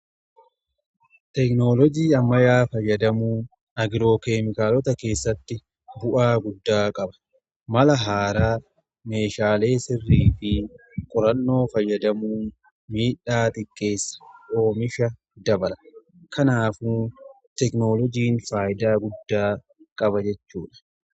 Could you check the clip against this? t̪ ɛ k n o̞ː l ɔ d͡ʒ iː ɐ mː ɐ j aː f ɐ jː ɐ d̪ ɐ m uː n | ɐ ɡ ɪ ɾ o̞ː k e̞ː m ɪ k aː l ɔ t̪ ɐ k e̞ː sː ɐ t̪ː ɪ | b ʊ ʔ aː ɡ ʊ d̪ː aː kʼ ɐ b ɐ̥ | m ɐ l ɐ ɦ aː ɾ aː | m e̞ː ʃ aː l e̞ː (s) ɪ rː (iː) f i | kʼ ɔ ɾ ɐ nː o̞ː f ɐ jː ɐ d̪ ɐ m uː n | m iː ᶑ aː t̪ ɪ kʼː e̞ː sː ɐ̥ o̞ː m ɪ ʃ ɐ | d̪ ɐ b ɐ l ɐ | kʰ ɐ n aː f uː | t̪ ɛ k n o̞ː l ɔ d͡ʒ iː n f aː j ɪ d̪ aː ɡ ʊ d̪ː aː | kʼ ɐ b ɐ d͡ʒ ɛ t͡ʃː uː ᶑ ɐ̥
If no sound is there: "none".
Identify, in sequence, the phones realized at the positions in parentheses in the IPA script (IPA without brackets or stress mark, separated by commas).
s, iː